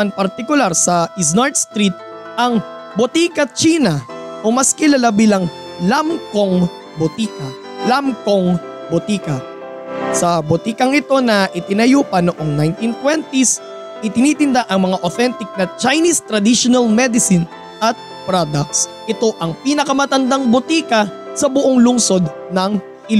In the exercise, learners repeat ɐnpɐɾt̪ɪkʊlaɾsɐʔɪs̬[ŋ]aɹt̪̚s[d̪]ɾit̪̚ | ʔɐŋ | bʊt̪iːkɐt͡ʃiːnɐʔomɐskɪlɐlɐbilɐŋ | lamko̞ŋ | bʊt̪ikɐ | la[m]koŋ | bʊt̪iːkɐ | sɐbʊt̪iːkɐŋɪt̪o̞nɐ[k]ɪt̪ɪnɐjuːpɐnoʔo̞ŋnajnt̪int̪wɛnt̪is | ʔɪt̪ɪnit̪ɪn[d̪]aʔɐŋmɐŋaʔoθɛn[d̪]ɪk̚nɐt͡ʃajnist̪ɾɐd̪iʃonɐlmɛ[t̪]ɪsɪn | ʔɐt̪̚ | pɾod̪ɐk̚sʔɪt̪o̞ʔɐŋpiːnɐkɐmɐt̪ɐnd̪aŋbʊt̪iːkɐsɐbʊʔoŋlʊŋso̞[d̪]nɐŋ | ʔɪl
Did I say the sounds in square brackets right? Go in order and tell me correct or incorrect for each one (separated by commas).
incorrect, incorrect, correct, incorrect, correct, incorrect, incorrect, correct